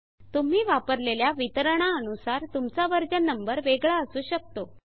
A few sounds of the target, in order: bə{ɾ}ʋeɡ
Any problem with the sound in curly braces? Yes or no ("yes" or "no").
no